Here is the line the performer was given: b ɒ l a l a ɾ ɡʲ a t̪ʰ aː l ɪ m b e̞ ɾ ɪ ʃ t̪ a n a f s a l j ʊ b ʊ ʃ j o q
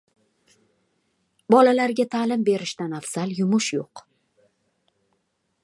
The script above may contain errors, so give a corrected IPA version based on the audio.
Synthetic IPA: b ɒ l a l a ɾ ɡʲ a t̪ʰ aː l ɪ m b e̞ ɾ ɪ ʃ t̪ a n a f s a l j ʊ m ʊ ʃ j o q